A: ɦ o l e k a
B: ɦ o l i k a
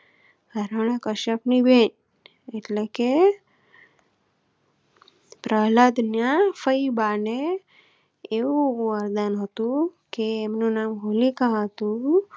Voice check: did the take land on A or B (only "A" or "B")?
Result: B